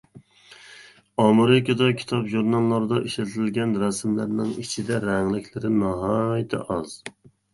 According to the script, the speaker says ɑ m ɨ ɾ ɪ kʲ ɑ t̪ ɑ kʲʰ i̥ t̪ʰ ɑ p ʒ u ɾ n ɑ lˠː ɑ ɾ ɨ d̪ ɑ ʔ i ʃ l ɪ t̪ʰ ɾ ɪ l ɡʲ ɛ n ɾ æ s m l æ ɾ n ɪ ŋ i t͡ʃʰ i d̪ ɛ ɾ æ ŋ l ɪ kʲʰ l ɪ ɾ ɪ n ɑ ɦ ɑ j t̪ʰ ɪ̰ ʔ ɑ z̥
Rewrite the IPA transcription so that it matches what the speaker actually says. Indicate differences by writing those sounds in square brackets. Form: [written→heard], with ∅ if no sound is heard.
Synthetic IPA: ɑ m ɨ ɾ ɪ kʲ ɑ [t̪→d̪] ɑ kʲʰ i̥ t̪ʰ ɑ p ʒ u ɾ n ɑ lˠː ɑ ɾ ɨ d̪ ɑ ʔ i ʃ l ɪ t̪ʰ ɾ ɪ l ɡʲ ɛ n ɾ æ s m l æ ɾ n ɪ ŋ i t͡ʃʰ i d̪ ɛ ɾ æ ŋ l ɪ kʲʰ l ɪ ɾ ɪ n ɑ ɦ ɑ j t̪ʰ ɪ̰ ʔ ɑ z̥